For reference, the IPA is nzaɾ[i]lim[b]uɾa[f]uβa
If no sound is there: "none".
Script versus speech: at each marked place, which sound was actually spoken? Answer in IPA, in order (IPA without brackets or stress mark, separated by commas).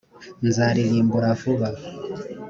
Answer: i, b, f